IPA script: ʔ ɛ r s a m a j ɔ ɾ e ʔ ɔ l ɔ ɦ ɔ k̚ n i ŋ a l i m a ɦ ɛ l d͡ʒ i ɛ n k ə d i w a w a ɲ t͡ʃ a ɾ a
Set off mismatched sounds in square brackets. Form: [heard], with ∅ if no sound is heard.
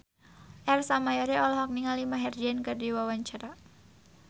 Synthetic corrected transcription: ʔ ɛ r s a m a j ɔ ɾ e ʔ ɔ l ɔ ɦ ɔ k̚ n i ŋ a l i m a ɦ ɛ [r] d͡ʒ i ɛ n k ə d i w a w a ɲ t͡ʃ a ɾ a